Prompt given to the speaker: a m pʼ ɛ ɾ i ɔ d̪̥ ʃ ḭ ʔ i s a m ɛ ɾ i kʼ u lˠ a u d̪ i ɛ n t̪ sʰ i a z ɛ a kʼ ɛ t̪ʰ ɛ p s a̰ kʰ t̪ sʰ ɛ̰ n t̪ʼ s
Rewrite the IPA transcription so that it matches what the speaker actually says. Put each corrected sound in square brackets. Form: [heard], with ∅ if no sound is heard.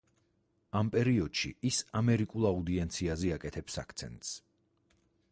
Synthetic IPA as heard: a m pʼ ɛ ɾ i ɔ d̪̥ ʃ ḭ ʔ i s a m ɛ ɾ i kʼ u lˠ a u d̪ i ɛ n t̪ sʰ i a z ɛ a kʼ ɛ t̪ʰ ɛ p s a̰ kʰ t̪ sʰ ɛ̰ n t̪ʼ s